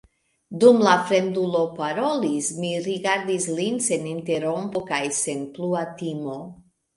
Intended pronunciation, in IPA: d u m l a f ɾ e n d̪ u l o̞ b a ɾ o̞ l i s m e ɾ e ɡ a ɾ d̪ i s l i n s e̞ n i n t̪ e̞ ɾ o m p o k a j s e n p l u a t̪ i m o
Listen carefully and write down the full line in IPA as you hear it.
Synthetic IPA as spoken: d u m l a f ɾ e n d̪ u l o̞ p a ɾ o̞ l i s m i ɾ i ɡ a ɾ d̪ i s l i n s e̞ n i n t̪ e̞ ɾ o m p o k a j s e n p l u a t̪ i m o